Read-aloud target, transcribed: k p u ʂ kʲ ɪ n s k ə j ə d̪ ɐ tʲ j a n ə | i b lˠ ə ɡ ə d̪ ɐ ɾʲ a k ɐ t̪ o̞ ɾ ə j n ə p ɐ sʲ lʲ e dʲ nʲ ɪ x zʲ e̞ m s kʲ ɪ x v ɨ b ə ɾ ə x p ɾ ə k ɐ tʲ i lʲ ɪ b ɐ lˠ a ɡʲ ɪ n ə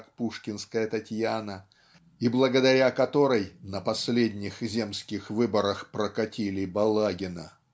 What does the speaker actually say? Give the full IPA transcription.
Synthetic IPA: k p u ʂ kʲ ɪ n s k ə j ə t̪ ɐ tʲ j a n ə | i b lˠ ə ɡ ə d̪ ɐ ɾʲ a k ɐ t̪ o̞ ɾ ə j n ə p ɐ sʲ lʲ e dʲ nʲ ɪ x zʲ e̞ m s kʲ ɪ x v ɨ b ə ɾ ə x p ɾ ə k ɐ tʲ i lʲ ɪ b ɐ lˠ a ɡʲ ɪ n ə

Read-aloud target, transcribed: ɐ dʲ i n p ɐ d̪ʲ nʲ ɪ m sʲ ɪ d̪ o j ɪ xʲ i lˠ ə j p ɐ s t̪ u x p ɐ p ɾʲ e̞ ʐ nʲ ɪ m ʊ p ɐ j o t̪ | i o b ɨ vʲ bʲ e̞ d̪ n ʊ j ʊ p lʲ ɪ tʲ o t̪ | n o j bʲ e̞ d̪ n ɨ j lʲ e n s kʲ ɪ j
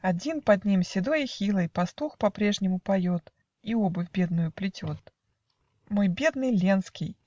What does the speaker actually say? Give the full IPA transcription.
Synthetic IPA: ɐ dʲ i n p ɐ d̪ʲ nʲ i m sʲ ɪ d̪ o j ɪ xʲ i lˠ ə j p ɐ s t̪ u x p ɐ p ɾʲ e̞ ʐ nʲ ɪ m ʊ p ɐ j o t̪ | i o b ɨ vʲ bʲ e̞ d̪ n ʊ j ʊ p lʲ ɪ tʲ o t̪ | m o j bʲ e̞ d̪ n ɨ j lʲ e n s kʲ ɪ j

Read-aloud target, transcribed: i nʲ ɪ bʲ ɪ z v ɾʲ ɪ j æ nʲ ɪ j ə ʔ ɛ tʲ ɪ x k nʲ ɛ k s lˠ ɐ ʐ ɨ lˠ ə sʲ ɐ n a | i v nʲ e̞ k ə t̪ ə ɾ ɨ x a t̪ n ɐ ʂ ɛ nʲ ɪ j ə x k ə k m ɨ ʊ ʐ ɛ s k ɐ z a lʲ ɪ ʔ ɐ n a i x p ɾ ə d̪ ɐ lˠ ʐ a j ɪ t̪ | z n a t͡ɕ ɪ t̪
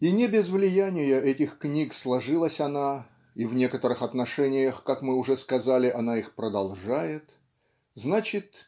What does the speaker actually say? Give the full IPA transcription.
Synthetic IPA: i nʲ ɪ bʲ ɪ z v lʲ ɪ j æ nʲ ɪ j ə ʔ ɛ tʲ ɪ x k nʲ i k s lˠ ɐ ʐ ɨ lˠ ə sʲ ɐ n a | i v nʲ e̞ k ə t̪ ə ɾ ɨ x ɐ t̪ n ɐ ʂ ɛ nʲ ɪ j ə x k a k m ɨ ʊ ʐ ɛ s k ɐ z a lʲ ɪ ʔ ɐ n a i x p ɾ ə d̪ ɐ lˠ ʐ a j ɪ t̪ | z n a t͡ɕ ɪ t̪

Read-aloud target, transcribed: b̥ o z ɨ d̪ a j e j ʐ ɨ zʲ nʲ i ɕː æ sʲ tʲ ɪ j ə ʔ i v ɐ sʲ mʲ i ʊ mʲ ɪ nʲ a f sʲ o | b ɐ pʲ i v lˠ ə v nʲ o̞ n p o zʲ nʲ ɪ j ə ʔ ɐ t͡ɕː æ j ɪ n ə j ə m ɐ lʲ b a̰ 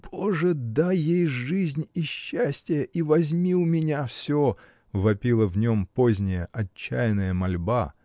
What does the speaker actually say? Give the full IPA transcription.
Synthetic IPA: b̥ o ʐ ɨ d̪ a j e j ʐ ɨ zʲ nʲ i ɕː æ sʲ tʲ ɪ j ə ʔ i v ɐ zʲ mʲ i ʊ mʲ ɪ nʲ a f sʲ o | v ɐ pʲ i lˠ ə v nʲ o̞ m p o zʲ nʲ ɪ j ə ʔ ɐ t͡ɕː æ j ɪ n ə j ə m ɐ lʲ b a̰

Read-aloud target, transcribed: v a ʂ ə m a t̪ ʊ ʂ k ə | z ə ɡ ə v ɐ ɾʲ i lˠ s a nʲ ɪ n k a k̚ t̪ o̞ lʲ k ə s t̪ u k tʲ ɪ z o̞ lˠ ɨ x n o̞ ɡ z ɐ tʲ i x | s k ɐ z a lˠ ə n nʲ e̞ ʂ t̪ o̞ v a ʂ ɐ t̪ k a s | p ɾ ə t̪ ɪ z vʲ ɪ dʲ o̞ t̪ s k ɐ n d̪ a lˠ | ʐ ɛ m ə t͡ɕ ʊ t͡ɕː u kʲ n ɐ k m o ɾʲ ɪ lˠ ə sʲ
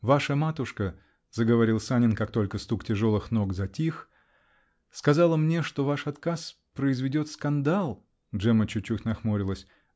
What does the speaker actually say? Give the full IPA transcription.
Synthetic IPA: v a ʂ ə m a t̪ ʊ ʂ k ə | z ə ɡ ə v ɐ ɾʲ i lˠ s a nʲ ɪ n k a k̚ t̪ o̞ lʲ k ə s t̪ u k tʲ ɪ ʐ o̞ lˠ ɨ x n o̞ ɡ z ɐ tʲ i x | s k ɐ z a lˠ ə m nʲ e̞ ʂ t̪ o̞ v a ʂ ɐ t̪ k a s | p ɾ ə ɪ z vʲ ɪ dʲ o̞ t̪ s k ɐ n d̪ a lˠ | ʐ ɛ m ə t͡ɕ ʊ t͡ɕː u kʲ n ɐ x m o ɾʲ ɪ lˠ ə sʲ

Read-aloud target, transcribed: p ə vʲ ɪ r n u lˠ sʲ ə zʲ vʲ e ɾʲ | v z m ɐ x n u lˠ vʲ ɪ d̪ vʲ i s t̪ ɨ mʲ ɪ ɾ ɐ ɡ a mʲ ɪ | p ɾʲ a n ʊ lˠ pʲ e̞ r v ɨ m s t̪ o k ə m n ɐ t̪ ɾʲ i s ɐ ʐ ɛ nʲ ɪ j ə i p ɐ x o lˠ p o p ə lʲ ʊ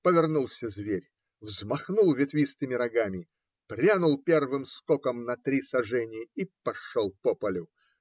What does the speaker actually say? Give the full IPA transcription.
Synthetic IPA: p ə vʲ ɪ r n u lˠ sʲ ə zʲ vʲ e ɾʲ | v z m ɐ x n u lˠ vʲ ɪ t̪ vʲ i s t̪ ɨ mʲ ɪ ɾ ɐ ɡ a mʲ ɪ | p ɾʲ a n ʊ lˠ pʲ e̞ r v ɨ m s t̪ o k ə m n ɐ t̪ ɾʲ i s ɐ ʐ ɛ nʲ ɪ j ə i p ɐ ʂ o lˠ p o p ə lʲ ʊ

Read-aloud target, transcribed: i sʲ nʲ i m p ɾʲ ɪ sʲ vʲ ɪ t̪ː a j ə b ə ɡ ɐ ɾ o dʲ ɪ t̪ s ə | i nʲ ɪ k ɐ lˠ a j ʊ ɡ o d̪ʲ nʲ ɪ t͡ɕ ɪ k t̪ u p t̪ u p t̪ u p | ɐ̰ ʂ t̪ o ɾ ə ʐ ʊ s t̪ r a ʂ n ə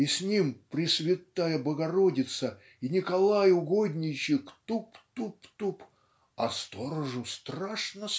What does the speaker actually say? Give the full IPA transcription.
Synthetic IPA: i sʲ nʲ i m p ɾʲ ɪ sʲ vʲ ɪ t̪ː a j ə b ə ɡ ɐ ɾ o dʲ ɪ t̪ s ə | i nʲ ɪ k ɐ lˠ a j ʊ ɡ o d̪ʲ nʲ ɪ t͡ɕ ɪ k t̪ u p t̪ u p t̪ u p | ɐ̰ s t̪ o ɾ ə ʐ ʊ s t̪ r a ʂ n ə

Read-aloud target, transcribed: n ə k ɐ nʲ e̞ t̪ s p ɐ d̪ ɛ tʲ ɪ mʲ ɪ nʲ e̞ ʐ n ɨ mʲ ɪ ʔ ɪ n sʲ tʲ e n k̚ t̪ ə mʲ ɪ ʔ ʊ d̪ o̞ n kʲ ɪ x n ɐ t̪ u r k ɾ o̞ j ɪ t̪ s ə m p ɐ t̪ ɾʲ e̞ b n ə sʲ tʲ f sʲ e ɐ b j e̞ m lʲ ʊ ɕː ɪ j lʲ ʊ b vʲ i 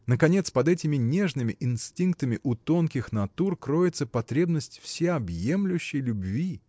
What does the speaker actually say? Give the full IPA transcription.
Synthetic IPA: n ə k ɐ nʲ e̞ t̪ s p ɐ d̪ ɛ tʲ ɪ mʲ ɪ nʲ e̞ ʐ n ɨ mʲ ɪ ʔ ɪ n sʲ tʲ i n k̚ t̪ ə mʲ ɪ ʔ ʊ t̪ o̞ n kʲ ɪ x n ɐ t̪ u r k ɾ o̞ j ɪ t̪ s ə p ɐ t̪ ɾʲ e̞ b n ə sʲ tʲ f sʲ e ɐ b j e̞ m lʲ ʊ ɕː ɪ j lʲ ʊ b vʲ i

